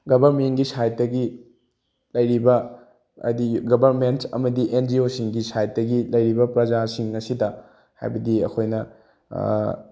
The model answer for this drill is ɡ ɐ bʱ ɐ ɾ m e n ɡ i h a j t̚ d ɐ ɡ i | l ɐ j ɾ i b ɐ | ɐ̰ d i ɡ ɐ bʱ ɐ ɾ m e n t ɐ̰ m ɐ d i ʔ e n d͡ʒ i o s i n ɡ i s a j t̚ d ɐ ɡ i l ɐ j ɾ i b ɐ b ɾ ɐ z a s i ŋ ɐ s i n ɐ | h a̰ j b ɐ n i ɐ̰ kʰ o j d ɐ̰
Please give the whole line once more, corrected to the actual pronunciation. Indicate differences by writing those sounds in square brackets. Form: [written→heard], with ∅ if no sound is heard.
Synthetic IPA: ɡ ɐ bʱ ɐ ɾ m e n ɡ i [h→s] a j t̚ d ɐ ɡ i | l ɐ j ɾ i b ɐ | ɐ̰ d i ɡ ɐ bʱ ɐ ɾ m e n t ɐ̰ m ɐ d i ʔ e n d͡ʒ i o s i [n→ŋ] ɡ i s a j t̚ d ɐ ɡ i l ɐ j ɾ i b ɐ [b→p] ɾ ɐ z a s i ŋ ɐ s i [n→d] ɐ | h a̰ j b ɐ [n→d] i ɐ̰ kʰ o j [d→n] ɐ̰